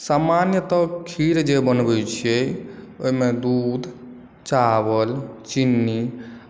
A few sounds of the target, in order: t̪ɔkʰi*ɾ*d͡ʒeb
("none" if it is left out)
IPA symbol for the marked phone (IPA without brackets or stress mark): ɾ